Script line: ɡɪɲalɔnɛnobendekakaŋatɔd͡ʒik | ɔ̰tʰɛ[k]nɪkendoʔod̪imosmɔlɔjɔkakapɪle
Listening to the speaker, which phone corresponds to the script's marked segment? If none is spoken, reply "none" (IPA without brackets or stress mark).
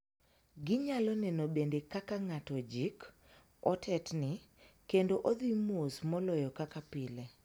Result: t